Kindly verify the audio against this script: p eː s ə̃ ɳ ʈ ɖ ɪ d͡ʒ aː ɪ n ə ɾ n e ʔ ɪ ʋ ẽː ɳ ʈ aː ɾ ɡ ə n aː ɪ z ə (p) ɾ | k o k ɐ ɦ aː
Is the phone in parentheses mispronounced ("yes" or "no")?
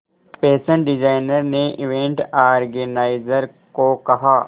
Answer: yes